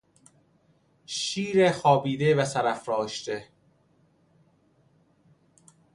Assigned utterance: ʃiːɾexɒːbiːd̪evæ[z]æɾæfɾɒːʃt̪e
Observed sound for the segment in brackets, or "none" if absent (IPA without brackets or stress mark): s